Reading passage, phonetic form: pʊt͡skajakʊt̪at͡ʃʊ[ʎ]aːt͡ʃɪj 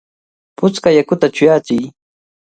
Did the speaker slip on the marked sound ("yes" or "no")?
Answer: yes